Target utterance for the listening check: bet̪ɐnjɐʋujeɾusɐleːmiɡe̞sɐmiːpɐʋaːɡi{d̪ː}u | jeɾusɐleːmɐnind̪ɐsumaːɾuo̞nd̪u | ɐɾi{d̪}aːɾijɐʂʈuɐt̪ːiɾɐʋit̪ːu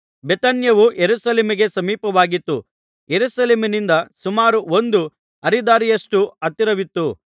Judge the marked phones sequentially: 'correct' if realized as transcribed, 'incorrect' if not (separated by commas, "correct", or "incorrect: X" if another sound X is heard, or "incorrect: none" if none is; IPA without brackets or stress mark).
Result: incorrect: t̪ː, correct